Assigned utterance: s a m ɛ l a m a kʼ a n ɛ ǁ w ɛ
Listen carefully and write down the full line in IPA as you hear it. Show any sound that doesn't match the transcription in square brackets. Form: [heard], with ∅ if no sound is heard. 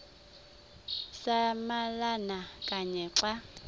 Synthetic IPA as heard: s a m [a] l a [n] a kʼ a [ɲ] ɛ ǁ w [a]